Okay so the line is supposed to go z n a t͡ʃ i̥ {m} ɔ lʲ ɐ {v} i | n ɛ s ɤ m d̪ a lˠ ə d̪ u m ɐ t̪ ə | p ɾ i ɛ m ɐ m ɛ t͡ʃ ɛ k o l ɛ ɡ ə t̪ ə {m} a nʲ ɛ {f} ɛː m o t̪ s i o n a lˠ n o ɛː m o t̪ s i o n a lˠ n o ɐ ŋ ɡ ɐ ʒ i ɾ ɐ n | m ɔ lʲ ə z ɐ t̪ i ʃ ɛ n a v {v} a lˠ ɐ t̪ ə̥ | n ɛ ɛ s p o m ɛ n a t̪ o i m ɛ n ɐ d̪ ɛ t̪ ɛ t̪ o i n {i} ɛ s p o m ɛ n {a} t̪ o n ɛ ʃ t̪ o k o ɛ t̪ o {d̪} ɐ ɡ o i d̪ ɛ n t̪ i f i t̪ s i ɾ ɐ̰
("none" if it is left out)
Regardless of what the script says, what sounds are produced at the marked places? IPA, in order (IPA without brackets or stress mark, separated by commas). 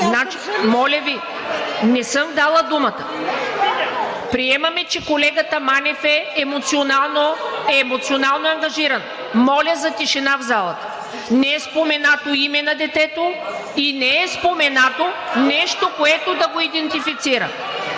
m, v, m, f, z, ɛ, a, d̪